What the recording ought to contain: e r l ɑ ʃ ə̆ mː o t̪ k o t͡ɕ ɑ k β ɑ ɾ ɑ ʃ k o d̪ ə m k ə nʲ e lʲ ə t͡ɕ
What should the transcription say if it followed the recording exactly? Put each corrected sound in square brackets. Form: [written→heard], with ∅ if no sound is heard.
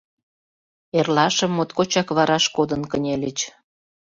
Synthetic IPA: e r l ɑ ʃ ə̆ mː o t̪ k o t͡ɕ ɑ k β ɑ ɾ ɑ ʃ k o d̪ ə [m→n] k ə nʲ e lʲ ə t͡ɕ